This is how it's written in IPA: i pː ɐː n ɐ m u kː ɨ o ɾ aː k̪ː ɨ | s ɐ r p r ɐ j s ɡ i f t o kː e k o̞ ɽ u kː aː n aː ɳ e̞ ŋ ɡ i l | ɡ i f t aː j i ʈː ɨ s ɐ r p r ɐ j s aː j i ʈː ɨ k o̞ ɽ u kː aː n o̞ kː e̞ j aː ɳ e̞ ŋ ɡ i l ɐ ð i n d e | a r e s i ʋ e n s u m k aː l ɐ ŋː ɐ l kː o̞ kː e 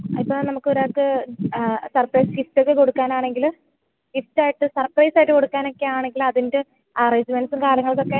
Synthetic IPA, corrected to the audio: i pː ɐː n ɐ m u kː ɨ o ɾ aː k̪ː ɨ | s ɐ r p r ɐ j s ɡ i f t o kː e k o̞ ɽ u kː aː n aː ɳ e̞ ŋ ɡ i l | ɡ i f t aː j i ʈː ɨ s ɐ r p r ɐ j s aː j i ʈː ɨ k o̞ ɽ u kː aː n o̞ kː e̞ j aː ɳ e̞ ŋ ɡ i l ɐ ð i n d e | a r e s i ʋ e n s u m k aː l ɐ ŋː ɐ ɭ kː o̞ kː e

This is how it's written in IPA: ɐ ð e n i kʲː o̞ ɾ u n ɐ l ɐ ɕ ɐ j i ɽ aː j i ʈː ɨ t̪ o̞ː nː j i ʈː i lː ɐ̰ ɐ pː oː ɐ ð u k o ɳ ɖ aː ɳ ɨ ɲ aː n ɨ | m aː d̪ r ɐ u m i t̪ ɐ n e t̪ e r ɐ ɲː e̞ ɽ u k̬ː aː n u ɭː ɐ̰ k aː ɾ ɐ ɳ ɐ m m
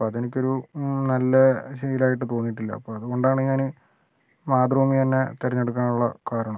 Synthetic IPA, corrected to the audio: ɐ ð e n i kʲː o̞ ɾ u n ɐ lː ɐ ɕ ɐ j i l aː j i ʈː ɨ t̪ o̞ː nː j i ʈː i lː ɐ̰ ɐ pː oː ɐ ð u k o ɳ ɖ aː ɳ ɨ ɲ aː n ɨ | m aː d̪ r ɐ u m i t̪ ɐ nː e t̪ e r ɐ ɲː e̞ ɽ u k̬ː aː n u ɭː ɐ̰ k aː ɾ ɐ ɳ ɐ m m

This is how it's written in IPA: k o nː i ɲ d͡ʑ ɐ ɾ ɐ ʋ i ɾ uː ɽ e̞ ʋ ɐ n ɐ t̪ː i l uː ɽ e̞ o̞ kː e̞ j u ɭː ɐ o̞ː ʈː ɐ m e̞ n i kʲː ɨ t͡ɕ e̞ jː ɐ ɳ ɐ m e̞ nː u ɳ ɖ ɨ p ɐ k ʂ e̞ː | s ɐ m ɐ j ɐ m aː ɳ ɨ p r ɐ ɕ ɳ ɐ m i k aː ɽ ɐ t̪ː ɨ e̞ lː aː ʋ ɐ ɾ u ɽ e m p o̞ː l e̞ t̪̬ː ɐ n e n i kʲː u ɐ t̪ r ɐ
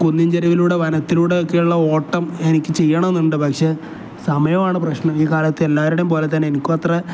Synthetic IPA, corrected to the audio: k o nː i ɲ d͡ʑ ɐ ɾ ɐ ʋ i l uː ɽ e̞ ʋ ɐ n ɐ t̪ː i l uː ɽ e̞ o̞ kː e̞ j u ɭː ɐ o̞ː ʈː ɐ m e̞ n i kʲː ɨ t͡ɕ e̞ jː ɐ ɳ ɐ m e̞ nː u ɳ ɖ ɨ p ɐ k ʂ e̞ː | s ɐ m ɐ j ɐ m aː ɳ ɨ p r ɐ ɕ ɳ ɐ m iː k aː l ɐ t̪ː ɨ e̞ lː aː ʋ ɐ ɾ u ɽ e m p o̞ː l e̞ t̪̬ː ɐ n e n i kʲː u ɐ t̪ r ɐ

